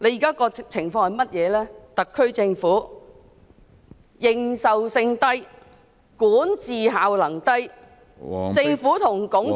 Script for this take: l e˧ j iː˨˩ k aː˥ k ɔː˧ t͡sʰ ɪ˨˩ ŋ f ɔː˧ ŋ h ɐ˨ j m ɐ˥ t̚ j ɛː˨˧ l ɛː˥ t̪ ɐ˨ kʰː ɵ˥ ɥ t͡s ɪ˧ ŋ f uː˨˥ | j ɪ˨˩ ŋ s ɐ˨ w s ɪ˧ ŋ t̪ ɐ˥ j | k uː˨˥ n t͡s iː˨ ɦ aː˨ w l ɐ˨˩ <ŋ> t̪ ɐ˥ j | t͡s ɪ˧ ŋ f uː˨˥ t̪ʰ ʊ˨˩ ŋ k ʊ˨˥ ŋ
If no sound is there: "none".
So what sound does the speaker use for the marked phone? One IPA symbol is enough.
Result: ŋ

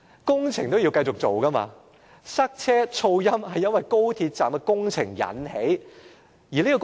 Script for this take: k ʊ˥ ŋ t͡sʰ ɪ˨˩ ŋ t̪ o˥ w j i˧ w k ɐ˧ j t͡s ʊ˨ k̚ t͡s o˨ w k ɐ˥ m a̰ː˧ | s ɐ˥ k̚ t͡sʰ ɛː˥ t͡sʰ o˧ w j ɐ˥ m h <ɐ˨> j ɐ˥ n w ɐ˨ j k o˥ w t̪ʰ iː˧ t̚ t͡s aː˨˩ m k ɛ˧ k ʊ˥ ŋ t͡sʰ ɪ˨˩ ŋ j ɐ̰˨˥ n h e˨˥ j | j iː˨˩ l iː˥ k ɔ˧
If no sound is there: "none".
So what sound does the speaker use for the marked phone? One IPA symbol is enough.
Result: ɐ˨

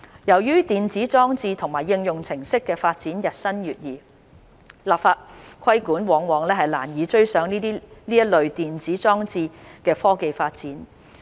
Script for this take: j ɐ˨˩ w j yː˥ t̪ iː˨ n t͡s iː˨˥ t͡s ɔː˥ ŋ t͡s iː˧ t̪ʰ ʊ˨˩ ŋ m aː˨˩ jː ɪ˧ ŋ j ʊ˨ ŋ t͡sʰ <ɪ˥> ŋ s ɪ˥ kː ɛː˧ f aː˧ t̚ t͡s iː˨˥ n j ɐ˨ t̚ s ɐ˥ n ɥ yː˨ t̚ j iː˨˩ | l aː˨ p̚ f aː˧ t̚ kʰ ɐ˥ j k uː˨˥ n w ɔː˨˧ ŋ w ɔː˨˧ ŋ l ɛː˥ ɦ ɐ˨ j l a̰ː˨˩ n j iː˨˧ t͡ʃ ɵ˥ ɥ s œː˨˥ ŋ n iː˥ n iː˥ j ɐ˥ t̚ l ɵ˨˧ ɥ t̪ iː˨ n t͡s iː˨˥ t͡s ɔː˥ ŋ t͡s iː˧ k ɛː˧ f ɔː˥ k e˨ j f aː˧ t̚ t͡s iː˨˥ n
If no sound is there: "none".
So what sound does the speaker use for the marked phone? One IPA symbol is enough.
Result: ɪ˨˩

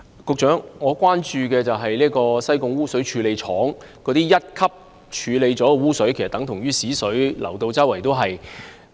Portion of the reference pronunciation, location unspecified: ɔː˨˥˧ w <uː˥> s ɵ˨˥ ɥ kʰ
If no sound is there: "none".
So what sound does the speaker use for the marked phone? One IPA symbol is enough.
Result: uː˥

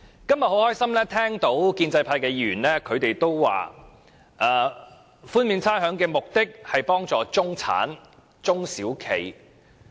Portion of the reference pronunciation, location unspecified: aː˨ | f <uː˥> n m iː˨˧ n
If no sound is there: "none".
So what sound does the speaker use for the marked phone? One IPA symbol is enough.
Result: uː˥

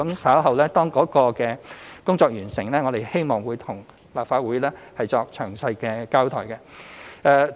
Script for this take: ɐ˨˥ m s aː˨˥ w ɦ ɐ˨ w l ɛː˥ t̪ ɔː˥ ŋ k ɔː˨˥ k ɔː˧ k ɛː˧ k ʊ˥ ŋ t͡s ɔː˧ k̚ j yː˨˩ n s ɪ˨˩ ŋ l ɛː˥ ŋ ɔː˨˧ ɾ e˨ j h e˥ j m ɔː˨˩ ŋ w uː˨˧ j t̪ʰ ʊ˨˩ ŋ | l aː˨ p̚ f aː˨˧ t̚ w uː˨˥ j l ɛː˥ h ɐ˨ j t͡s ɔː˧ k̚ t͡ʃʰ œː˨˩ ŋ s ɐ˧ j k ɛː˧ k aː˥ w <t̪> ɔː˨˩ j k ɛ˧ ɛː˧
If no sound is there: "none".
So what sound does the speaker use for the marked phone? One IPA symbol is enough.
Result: t̪ʰ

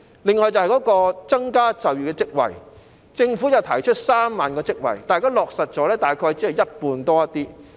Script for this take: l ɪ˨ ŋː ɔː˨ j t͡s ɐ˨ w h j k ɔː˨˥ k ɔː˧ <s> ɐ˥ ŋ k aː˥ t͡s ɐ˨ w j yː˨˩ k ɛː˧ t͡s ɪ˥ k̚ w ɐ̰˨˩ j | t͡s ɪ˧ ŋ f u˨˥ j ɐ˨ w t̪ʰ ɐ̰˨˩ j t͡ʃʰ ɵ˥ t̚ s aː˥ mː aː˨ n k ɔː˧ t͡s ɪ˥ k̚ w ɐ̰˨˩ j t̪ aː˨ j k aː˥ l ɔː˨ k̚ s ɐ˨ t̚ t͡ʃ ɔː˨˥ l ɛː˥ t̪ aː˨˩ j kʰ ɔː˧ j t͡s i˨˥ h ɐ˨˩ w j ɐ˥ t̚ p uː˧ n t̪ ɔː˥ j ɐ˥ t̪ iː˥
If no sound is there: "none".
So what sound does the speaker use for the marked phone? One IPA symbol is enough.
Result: t͡s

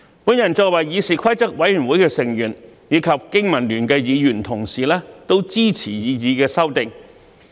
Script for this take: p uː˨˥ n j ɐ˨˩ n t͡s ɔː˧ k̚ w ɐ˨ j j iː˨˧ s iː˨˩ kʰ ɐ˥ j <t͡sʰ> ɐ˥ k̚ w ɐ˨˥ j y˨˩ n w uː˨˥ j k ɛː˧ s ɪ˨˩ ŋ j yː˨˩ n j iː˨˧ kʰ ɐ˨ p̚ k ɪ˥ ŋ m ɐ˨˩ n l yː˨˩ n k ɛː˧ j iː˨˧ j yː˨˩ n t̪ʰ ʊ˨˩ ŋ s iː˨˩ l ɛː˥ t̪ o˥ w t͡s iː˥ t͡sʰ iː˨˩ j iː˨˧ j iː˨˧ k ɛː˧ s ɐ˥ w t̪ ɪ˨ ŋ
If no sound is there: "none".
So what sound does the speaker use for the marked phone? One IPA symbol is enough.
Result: t͡s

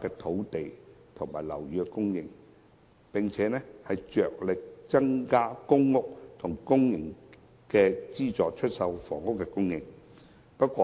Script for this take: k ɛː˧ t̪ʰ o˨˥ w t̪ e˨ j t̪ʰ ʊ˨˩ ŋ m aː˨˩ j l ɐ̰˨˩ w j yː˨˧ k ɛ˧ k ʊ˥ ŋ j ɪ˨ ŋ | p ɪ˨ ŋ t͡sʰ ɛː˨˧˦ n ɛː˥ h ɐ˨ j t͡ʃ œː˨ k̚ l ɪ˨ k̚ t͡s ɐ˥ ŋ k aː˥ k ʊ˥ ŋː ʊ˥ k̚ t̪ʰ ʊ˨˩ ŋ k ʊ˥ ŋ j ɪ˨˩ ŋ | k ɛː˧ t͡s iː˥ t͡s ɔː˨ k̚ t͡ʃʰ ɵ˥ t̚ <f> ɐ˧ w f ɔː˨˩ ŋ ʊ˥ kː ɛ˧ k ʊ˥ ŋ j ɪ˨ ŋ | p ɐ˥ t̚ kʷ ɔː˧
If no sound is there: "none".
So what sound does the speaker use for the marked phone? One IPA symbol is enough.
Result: s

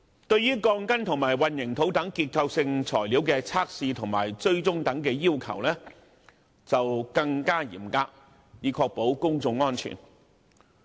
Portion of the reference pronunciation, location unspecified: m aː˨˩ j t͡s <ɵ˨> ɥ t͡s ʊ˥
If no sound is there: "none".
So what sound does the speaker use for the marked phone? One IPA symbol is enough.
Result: ɵ˥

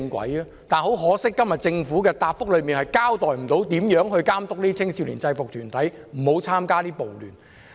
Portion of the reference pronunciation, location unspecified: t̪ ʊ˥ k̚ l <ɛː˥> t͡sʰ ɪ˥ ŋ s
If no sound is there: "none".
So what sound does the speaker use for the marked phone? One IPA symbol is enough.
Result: iː˥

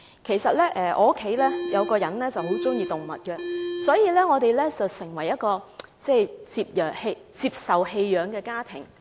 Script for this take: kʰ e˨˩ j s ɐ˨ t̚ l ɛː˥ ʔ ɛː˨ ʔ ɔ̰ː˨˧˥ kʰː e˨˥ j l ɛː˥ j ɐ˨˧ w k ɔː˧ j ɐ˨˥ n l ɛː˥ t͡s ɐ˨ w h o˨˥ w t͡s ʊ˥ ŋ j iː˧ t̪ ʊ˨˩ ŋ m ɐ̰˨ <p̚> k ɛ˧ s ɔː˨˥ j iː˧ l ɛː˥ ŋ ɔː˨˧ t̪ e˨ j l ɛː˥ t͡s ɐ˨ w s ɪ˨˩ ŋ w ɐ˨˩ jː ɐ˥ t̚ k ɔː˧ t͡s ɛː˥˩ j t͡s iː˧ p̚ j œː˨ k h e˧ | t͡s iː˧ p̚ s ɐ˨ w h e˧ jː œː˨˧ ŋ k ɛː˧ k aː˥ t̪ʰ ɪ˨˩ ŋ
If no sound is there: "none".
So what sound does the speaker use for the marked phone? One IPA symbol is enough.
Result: t̚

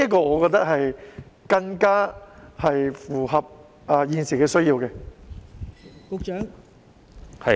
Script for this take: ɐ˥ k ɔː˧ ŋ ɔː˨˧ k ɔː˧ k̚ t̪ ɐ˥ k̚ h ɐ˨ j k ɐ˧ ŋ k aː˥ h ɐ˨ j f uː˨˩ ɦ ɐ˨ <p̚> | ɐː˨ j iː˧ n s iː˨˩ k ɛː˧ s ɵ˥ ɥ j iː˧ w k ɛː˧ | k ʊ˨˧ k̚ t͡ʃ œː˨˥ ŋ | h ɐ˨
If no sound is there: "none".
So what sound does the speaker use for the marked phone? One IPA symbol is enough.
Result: p̚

